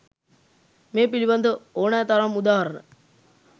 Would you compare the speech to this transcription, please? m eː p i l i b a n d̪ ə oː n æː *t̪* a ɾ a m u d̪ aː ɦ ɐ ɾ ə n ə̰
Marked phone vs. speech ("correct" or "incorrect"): correct